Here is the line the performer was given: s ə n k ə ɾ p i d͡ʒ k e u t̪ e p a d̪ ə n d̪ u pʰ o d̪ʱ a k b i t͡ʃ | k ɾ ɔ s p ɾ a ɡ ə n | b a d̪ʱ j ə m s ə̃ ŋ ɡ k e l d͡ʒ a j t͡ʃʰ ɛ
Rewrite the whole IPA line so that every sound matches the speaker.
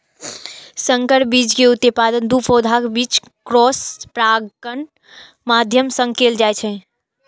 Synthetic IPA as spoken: s ə ŋ k ə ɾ b i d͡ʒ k e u t̪ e p a d̪ ə n d̪ u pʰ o d̪ʱ a k b i t͡ʃ | k ɾ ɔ s p ɾ a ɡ ə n | m a d̪ʱ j ə m s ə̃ ŋ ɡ k e l d͡ʒ a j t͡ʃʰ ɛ